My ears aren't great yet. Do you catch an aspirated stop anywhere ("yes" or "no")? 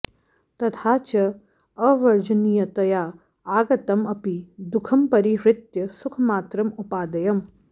yes